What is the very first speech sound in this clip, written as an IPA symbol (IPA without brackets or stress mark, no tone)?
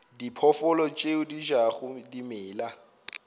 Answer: d